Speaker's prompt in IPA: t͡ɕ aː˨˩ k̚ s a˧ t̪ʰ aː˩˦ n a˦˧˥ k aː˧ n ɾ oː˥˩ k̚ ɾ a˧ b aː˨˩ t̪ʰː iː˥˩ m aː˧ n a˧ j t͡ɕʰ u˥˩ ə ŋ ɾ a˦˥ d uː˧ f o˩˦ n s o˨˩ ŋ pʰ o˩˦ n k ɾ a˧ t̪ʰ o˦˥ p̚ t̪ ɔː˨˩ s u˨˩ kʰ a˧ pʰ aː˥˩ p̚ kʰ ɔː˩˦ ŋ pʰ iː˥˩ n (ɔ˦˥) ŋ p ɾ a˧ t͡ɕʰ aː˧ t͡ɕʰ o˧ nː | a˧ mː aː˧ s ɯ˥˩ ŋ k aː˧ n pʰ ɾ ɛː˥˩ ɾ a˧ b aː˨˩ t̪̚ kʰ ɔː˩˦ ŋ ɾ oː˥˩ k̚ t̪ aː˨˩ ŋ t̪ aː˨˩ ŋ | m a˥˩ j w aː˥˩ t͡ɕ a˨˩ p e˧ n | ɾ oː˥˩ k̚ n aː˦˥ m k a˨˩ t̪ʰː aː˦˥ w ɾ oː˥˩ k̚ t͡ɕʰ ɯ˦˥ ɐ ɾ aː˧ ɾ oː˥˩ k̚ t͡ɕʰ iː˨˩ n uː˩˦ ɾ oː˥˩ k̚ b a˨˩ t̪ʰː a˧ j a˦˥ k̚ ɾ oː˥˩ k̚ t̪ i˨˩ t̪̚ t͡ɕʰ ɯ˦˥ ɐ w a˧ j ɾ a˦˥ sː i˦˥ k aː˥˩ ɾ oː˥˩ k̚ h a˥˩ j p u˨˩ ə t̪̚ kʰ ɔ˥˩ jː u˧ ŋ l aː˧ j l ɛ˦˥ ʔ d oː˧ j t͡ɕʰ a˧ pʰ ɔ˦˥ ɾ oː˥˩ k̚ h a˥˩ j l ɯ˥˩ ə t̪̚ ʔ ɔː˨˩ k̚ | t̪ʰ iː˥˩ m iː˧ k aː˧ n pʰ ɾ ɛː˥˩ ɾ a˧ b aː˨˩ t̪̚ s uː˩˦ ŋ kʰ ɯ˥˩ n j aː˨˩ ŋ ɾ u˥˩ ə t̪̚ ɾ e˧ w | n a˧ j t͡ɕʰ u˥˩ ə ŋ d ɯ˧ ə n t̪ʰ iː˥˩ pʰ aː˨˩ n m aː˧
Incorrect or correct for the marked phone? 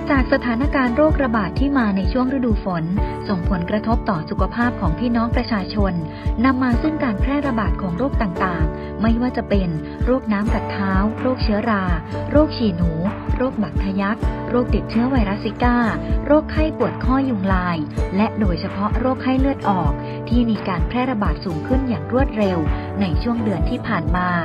incorrect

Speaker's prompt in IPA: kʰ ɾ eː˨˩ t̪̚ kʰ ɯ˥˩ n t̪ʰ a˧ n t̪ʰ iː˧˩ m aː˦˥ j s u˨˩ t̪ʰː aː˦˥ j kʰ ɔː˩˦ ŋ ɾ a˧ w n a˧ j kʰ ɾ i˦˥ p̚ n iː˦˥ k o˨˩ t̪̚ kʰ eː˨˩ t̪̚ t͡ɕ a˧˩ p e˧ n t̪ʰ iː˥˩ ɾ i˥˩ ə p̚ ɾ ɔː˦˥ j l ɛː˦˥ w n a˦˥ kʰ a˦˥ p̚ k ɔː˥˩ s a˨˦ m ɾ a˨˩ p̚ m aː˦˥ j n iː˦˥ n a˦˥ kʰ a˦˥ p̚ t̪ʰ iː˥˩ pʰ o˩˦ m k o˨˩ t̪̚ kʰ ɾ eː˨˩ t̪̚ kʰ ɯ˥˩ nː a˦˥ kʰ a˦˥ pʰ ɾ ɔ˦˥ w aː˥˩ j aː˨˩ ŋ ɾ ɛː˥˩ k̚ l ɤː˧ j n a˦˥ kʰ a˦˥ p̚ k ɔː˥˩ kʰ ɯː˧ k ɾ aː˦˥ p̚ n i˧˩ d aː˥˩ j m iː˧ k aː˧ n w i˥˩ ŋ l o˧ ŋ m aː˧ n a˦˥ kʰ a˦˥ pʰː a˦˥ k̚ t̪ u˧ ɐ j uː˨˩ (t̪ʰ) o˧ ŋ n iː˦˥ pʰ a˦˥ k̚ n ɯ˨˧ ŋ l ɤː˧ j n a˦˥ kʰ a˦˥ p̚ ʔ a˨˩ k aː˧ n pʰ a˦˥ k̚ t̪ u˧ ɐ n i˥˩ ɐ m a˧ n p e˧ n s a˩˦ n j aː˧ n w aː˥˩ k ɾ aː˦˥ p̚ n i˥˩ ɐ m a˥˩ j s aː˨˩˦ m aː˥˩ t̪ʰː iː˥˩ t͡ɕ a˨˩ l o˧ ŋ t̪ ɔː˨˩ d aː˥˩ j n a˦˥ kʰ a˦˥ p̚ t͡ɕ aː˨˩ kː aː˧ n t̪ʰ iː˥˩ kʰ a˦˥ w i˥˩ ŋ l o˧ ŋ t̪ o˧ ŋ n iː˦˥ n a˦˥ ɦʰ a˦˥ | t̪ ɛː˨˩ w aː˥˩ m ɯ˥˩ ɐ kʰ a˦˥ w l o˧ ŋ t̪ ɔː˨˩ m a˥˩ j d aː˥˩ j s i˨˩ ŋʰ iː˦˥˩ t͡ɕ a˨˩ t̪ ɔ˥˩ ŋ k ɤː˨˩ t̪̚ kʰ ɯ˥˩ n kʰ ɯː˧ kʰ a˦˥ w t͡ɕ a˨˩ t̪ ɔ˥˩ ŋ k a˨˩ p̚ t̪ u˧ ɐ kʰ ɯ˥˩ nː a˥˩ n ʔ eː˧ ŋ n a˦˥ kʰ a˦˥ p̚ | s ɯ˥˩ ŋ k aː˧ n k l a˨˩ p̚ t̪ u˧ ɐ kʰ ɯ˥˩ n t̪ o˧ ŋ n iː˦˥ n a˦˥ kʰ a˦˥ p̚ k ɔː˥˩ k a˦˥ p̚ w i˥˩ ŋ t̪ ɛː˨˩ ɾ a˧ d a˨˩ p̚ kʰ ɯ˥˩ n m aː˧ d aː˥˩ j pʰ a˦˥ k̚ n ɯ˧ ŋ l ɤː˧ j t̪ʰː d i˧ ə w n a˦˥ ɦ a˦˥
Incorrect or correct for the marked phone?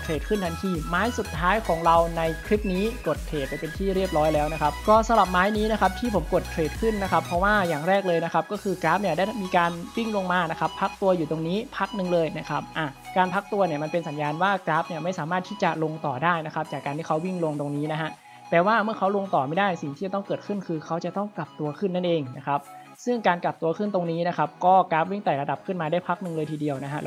incorrect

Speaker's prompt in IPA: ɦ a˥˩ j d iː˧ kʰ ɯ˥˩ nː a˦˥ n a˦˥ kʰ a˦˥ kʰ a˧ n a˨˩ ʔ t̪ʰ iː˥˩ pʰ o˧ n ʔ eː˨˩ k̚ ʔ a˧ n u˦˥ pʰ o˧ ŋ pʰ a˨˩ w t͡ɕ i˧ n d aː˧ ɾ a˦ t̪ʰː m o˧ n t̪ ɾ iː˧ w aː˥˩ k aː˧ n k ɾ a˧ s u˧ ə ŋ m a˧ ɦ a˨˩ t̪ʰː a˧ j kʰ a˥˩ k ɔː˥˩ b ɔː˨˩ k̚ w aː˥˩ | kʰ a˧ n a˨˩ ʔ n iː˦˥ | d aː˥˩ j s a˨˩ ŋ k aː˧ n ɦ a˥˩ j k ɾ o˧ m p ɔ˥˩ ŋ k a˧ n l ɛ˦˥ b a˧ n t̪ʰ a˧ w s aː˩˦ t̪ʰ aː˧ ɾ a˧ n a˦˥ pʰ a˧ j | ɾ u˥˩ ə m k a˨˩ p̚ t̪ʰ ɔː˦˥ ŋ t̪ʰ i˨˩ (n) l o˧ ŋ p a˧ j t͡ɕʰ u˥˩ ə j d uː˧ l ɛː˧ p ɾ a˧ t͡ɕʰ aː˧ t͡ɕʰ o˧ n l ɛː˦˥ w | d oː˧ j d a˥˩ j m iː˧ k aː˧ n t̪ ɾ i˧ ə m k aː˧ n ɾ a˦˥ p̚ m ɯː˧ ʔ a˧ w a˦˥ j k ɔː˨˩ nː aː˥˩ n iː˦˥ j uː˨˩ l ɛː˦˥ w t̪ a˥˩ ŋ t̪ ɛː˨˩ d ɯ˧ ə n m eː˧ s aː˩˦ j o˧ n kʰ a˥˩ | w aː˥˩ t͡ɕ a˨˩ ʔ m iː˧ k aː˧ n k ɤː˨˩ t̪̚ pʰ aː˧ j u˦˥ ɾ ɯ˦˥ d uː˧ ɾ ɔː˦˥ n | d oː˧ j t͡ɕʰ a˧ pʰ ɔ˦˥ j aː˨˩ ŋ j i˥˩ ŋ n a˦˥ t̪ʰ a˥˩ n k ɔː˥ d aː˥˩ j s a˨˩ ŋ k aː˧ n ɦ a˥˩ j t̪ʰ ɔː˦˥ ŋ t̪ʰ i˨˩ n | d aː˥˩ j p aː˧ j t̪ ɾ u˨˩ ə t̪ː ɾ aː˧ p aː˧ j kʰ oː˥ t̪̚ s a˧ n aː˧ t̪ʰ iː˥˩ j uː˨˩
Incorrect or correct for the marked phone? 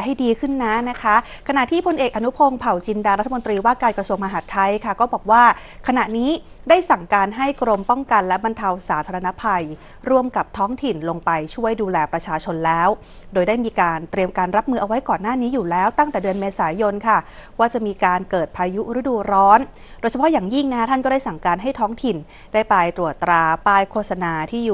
correct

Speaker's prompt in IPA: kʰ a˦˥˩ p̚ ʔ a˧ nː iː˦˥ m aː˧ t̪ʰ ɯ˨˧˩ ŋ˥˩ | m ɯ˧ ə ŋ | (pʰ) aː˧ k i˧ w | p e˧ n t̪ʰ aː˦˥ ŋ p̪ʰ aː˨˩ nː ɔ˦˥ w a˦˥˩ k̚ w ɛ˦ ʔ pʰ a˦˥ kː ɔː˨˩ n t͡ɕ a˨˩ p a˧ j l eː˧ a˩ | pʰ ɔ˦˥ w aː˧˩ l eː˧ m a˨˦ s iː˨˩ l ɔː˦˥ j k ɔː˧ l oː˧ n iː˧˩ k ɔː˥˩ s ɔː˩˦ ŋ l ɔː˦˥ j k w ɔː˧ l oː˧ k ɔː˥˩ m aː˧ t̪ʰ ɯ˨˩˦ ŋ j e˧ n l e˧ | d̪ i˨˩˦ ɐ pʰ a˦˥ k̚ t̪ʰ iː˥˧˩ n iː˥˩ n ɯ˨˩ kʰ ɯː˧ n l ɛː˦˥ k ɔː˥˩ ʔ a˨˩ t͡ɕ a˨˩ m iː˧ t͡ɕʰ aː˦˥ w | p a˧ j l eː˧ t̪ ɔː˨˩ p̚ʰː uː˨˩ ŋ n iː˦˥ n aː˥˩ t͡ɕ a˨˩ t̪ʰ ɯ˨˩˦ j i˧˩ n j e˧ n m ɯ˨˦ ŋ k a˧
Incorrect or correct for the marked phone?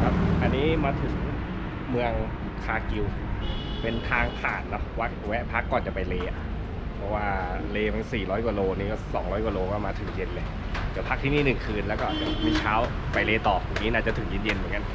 incorrect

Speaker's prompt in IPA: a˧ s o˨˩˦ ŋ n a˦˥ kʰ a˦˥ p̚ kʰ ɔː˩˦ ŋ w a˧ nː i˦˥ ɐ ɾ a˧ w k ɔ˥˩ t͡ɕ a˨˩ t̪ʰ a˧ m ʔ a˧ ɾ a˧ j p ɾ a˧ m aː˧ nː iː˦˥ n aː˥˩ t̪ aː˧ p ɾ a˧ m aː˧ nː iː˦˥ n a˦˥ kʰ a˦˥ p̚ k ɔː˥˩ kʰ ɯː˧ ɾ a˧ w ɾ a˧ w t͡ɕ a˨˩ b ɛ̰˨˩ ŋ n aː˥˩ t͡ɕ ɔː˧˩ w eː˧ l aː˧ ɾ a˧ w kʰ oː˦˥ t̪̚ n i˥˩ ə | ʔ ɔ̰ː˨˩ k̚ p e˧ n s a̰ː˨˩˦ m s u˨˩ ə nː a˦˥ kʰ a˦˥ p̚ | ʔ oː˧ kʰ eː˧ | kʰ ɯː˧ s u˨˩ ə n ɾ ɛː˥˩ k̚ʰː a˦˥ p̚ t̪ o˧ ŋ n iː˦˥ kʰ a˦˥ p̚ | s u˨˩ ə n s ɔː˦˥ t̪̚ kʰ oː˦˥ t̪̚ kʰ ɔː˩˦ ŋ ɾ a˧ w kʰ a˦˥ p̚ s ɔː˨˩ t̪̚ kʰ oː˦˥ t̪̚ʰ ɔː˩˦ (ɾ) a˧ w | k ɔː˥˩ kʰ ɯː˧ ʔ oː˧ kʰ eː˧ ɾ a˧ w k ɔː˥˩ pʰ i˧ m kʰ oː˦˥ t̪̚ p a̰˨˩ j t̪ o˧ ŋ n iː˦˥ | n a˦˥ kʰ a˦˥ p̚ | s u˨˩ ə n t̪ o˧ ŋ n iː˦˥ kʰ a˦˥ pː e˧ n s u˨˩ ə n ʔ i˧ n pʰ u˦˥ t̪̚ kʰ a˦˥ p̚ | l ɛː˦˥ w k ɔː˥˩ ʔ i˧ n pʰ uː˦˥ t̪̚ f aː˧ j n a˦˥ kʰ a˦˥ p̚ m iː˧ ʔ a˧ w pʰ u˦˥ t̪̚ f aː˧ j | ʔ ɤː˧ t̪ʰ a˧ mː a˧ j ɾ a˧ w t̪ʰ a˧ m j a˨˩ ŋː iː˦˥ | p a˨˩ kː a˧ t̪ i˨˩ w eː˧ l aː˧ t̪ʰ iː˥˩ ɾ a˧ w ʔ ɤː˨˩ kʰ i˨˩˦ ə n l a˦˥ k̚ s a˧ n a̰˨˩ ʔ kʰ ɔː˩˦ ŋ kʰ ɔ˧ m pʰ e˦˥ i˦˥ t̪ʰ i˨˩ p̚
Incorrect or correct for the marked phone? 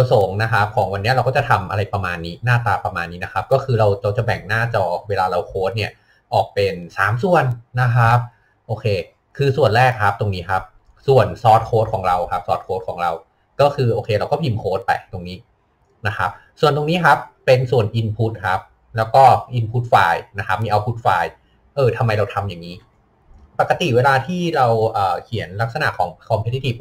correct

